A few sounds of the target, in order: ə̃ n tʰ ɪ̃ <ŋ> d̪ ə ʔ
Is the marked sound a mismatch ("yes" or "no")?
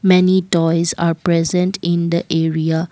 yes